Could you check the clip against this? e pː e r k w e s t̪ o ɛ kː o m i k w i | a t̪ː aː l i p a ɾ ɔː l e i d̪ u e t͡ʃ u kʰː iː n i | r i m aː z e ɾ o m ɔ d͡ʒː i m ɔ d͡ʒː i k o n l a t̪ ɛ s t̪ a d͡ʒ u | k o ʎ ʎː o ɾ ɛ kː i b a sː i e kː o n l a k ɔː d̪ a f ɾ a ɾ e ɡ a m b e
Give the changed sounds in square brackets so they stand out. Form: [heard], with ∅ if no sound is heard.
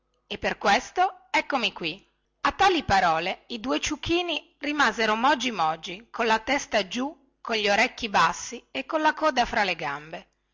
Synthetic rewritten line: e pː e r k w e s t̪ o ɛ kː o m i k w i | a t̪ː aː l i p a ɾ ɔː l e i d̪ u e t͡ʃ u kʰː iː n i | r i m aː z e ɾ o m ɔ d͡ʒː i m ɔ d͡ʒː i k o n l a t̪ ɛ s t̪ a d͡ʒ u | k o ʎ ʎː o ɾ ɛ kː i b a sː i e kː o n l a k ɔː d̪ a f ɾ a [l] e ɡ a m b e

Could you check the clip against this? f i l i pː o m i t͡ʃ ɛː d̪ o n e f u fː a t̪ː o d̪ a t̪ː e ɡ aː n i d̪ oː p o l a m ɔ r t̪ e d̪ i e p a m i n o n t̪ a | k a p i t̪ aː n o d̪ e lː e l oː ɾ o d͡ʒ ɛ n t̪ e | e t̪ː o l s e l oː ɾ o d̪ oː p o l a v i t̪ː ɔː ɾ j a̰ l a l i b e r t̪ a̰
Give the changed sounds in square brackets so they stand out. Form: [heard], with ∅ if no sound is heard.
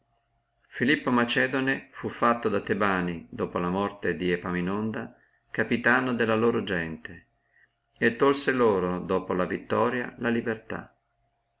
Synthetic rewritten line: f i l i pː o m [a] t͡ʃ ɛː d̪ o n e f u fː a t̪ː o d̪ a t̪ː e [b] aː n i d̪ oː p o l a m ɔ r t̪ e d̪ i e p a m i n o n [d̪] a | k a p i t̪ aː n o d̪ e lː [a] l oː ɾ o d͡ʒ ɛ n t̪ e | e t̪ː o l s e l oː ɾ o d̪ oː p o l a v i t̪ː ɔː ɾ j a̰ l a l i b e r t̪ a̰

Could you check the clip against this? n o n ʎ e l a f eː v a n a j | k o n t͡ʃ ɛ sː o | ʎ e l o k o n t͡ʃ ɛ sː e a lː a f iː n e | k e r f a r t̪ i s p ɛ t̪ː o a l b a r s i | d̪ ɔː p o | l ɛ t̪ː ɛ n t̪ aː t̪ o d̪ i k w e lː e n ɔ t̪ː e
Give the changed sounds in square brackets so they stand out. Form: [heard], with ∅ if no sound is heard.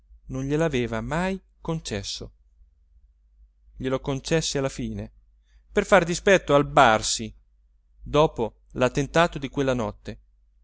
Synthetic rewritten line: n o n ʎ e l a [v] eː v a [m] a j | k o n t͡ʃ ɛ sː o | ʎ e l o k o n t͡ʃ ɛ sː e a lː a f iː n e | [p] e r f a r [d̪] i s p ɛ t̪ː o a l b a r s i | d̪ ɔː p o | l [a] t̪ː [e] n t̪ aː t̪ o d̪ i k w e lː [a] n ɔ t̪ː e

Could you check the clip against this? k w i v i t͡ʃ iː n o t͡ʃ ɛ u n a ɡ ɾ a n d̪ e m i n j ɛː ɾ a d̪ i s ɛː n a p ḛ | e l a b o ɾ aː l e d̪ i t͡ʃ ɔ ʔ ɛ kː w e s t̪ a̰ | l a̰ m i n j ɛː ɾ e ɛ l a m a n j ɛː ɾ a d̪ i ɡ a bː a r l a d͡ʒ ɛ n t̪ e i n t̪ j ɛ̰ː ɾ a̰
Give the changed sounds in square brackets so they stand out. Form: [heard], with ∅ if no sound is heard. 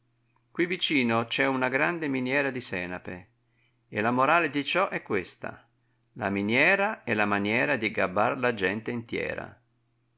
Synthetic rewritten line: k w i v i t͡ʃ iː n o t͡ʃ ɛ u n a ɡ ɾ a n d̪ e m i n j ɛː ɾ a d̪ i s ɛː n a p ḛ | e l a [m] o ɾ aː l e d̪ i t͡ʃ ɔ ʔ ɛ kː w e s t̪ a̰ | l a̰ m i n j ɛː ɾ [a] ɛ l a m a n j ɛː ɾ a d̪ i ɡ a bː a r l a d͡ʒ ɛ n t̪ e i n t̪ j ɛ̰ː ɾ a̰

